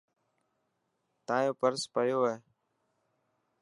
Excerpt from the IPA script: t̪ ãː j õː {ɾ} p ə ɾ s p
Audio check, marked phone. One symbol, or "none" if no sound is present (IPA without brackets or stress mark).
none